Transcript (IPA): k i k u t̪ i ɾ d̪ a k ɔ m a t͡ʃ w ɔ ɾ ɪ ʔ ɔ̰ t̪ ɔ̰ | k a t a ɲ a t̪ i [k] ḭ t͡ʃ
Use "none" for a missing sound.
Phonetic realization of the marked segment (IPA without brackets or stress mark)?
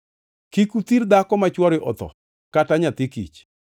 k